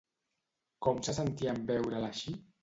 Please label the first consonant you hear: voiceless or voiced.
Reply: voiceless